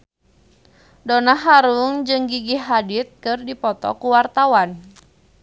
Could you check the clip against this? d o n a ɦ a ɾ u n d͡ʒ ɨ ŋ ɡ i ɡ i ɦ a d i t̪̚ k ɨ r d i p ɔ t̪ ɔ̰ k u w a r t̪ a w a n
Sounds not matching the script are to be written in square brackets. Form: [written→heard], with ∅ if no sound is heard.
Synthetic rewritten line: d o n a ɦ a ɾ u [n→ŋ] d͡ʒ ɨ ŋ ɡ i ɡ i ɦ a d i t̪̚ k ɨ r d i p ɔ t̪ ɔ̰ k u w a r t̪ a w a n